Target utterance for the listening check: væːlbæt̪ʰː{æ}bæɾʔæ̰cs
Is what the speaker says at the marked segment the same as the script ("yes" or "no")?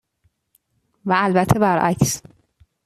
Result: no